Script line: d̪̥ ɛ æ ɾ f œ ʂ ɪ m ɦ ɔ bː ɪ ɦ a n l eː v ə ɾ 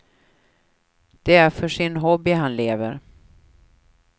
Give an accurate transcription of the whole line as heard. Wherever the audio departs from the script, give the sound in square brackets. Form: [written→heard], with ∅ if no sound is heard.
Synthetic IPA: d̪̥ ɛ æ ɾ f œ ʂ ɪ [m→n] ɦ ɔ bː ɪ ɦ a n l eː v ə ɾ